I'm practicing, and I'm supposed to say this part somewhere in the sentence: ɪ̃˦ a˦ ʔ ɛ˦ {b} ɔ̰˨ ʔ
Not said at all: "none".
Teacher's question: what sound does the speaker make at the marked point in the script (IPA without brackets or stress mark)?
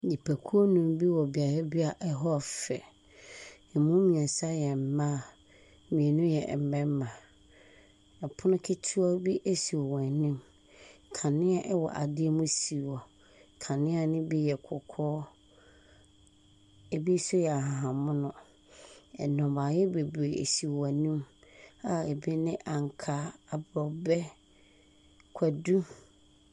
w